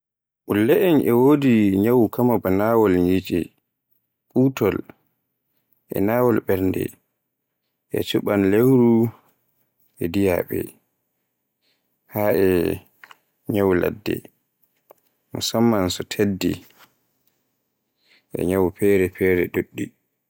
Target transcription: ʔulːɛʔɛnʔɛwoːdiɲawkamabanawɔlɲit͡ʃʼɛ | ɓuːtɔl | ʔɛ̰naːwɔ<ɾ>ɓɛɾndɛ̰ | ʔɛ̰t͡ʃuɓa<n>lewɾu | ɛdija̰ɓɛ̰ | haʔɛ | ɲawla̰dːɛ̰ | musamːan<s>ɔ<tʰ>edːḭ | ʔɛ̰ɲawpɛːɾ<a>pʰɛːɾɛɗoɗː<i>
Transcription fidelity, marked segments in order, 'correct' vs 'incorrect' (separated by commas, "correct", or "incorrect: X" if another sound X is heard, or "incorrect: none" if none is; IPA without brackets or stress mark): incorrect: l, correct, correct, correct, incorrect: ɛ, correct